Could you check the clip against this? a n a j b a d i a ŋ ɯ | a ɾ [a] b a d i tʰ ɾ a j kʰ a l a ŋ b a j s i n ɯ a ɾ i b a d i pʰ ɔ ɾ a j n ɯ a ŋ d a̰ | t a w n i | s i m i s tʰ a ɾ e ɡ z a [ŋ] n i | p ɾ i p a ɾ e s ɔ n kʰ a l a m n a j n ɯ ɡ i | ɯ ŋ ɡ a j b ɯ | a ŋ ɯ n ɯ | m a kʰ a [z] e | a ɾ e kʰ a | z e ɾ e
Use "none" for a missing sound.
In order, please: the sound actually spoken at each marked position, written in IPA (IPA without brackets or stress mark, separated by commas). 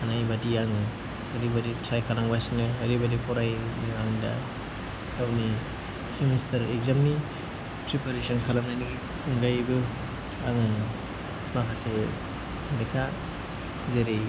i, m, s